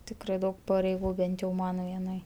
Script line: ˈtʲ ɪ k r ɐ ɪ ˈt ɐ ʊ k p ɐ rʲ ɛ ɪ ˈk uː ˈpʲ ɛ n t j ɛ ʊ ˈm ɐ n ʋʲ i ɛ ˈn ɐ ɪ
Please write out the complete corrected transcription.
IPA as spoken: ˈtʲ ɪ k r ɐ ɪ ˈd ɐ ʊ k p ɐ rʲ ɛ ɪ ˈɡ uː ˈbʲ ɛ n t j ɛ ʊ ˈm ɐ n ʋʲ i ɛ ˈn ɐ ɪ